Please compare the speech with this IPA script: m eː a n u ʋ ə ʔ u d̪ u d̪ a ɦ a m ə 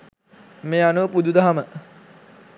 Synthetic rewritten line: m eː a n u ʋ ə p u d̪ u d̪ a ɦ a m ə

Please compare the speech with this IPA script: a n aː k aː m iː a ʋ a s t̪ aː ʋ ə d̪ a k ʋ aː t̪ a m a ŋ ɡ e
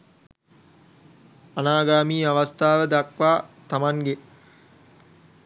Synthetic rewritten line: a n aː ɡ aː m iː a ʋ a s t̪ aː ʋ ə d̪ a k ʋ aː t̪ a m a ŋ ɡ e

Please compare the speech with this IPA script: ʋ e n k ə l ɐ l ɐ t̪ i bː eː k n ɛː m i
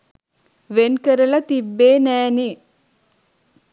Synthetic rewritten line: ʋ e n k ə ɾ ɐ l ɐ t̪ i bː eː n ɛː n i

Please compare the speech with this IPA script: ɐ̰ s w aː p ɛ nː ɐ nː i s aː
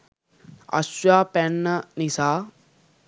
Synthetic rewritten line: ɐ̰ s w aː p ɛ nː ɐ n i s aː

